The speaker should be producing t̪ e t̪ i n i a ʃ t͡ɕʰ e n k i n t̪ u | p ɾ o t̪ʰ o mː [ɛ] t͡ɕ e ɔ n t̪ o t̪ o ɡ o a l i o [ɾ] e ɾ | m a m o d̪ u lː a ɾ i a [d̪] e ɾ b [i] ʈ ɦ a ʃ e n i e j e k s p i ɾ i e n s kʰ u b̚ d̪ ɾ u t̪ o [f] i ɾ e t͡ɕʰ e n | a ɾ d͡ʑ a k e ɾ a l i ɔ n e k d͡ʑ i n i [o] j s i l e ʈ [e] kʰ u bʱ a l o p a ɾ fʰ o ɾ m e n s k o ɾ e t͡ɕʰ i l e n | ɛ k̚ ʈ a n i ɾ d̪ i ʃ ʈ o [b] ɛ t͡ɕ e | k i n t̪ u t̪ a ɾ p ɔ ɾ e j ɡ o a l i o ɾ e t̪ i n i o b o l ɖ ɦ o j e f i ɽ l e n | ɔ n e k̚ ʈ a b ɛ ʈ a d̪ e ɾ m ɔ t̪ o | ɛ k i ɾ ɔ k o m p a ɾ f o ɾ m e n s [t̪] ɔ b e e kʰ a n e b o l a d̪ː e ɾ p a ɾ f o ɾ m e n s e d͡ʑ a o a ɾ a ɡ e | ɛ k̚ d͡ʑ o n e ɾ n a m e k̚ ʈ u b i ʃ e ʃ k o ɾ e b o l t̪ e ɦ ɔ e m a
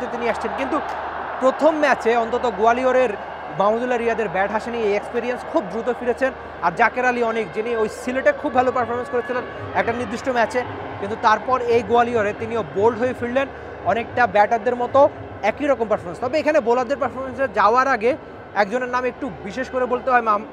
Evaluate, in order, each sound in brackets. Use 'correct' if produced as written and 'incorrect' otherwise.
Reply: correct, correct, correct, incorrect, correct, correct, correct, incorrect, correct

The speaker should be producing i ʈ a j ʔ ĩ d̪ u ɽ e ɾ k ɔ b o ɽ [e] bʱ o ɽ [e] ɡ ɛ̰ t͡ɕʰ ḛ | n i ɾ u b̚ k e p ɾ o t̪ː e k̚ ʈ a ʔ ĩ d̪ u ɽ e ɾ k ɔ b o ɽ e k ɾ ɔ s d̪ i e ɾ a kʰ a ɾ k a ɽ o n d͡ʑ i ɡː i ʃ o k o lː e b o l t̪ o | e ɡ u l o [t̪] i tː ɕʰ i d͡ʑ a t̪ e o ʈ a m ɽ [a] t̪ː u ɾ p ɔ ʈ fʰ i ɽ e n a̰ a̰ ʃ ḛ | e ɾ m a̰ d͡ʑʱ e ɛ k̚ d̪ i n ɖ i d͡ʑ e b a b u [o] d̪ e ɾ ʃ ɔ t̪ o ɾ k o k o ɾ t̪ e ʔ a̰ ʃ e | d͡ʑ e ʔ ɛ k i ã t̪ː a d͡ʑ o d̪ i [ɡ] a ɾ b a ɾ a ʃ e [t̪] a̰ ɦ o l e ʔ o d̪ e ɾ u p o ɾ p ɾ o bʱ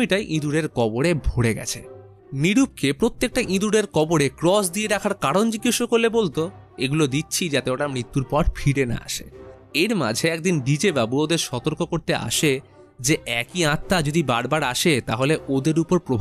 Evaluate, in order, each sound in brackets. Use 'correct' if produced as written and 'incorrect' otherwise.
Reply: correct, correct, incorrect, incorrect, correct, incorrect, correct

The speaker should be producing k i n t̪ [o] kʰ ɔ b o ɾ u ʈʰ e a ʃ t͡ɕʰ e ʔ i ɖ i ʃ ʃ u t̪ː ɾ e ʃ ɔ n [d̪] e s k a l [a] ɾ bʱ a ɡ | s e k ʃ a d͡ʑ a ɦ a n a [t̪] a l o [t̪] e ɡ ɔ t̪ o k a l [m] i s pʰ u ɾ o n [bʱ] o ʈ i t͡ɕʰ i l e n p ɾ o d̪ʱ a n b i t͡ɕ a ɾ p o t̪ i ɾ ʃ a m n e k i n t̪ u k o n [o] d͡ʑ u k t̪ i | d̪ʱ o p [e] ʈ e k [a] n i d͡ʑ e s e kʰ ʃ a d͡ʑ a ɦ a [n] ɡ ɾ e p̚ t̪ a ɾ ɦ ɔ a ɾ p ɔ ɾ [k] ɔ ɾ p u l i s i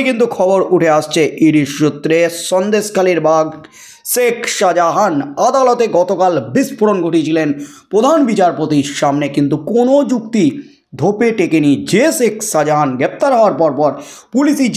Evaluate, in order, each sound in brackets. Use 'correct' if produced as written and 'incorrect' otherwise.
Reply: incorrect, correct, incorrect, incorrect, correct, incorrect, incorrect, correct, correct, incorrect, correct, incorrect

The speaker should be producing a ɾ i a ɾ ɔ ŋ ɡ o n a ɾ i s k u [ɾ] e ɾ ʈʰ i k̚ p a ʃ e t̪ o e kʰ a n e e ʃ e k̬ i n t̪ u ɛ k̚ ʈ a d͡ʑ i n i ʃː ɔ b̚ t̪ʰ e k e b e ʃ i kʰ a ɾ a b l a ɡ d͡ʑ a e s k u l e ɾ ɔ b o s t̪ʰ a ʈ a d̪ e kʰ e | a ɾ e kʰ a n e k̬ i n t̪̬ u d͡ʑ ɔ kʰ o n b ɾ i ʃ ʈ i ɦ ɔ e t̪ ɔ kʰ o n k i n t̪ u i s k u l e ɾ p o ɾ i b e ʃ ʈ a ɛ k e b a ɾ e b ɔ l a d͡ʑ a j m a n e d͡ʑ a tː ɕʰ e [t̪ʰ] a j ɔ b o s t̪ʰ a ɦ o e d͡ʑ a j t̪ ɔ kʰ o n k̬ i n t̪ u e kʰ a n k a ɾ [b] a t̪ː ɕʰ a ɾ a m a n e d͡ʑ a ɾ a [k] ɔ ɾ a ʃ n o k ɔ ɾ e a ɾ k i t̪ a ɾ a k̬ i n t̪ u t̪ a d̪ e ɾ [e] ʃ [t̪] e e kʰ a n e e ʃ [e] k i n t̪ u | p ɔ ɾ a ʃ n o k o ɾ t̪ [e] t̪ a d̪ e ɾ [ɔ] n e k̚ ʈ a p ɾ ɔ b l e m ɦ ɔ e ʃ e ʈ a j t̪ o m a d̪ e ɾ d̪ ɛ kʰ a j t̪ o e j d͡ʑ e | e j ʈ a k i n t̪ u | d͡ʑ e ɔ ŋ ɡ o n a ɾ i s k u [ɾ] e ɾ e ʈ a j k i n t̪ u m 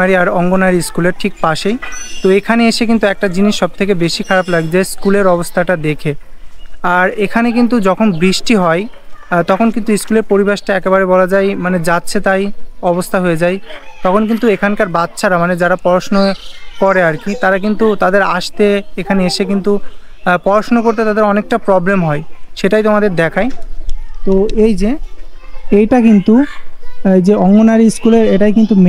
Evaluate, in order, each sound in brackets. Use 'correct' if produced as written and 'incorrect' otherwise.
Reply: incorrect, incorrect, correct, incorrect, incorrect, correct, correct, correct, correct, incorrect

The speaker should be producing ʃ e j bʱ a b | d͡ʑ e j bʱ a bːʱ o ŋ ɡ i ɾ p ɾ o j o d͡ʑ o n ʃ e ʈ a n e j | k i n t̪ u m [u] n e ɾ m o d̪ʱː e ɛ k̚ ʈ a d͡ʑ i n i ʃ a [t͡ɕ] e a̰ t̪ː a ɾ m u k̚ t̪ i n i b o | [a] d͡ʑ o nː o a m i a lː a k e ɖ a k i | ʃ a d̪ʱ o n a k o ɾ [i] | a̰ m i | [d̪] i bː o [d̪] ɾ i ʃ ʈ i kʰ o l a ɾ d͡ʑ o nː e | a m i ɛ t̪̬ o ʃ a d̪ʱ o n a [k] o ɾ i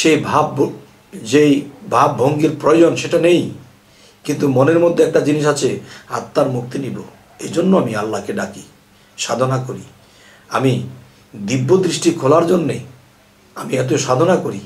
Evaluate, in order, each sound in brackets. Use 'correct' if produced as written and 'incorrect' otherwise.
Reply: incorrect, incorrect, incorrect, correct, correct, correct, correct

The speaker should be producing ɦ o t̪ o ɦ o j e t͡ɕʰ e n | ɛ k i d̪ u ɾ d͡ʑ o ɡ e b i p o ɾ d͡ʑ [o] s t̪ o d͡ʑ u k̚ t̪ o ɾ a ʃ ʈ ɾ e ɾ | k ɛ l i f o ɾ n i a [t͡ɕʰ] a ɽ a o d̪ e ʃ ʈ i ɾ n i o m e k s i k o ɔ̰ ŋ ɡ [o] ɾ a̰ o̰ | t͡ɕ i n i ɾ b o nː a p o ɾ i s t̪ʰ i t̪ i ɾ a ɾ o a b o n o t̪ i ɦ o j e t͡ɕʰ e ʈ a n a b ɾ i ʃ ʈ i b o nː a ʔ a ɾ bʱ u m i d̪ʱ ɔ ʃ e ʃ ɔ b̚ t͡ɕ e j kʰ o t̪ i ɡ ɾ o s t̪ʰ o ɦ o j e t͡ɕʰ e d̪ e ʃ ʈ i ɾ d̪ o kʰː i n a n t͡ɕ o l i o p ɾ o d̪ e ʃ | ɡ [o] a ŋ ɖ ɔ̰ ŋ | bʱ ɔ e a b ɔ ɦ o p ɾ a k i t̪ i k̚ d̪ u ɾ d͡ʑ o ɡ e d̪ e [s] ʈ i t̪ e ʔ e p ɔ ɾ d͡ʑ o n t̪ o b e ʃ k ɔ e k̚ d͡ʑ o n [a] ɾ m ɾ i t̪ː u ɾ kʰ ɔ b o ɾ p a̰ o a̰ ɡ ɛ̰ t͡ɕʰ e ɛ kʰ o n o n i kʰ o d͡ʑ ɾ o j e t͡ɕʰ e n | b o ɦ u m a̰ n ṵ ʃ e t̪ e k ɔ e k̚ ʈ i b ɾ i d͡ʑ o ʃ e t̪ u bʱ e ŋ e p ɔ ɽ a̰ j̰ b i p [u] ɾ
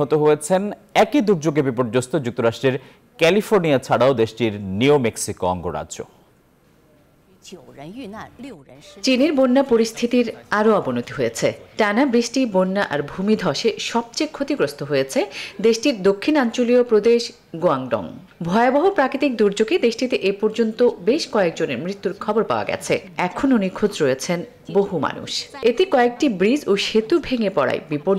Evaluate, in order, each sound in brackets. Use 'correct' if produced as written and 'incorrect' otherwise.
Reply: correct, correct, correct, correct, incorrect, incorrect, incorrect

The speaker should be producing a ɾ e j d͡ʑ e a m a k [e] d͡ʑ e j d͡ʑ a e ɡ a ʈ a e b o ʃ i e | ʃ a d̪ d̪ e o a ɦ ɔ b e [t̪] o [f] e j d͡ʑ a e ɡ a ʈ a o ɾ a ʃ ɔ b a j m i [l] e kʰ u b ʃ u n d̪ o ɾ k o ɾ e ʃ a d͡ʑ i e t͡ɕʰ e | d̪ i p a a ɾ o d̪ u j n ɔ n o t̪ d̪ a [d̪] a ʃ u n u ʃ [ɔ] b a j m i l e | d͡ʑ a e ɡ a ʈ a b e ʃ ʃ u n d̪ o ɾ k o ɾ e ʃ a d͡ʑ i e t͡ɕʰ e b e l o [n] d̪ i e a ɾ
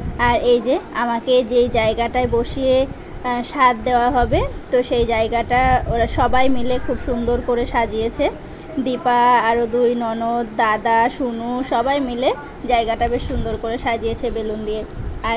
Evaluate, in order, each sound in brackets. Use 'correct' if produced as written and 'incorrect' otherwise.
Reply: correct, correct, incorrect, correct, correct, correct, correct

